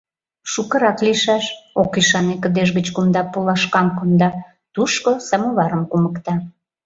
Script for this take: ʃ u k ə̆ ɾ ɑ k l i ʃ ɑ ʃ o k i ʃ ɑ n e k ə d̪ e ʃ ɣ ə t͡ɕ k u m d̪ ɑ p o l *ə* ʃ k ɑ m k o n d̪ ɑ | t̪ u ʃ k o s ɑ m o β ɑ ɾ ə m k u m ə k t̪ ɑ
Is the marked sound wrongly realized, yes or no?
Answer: yes